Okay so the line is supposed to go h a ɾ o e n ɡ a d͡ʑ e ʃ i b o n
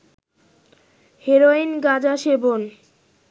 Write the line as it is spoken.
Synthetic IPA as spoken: h e ɾ o i n ɡ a d͡ʑ a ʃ e b o n